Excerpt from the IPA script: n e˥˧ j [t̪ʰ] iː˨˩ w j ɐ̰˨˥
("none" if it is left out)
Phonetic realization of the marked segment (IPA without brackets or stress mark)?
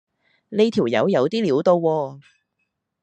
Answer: t̪ʰ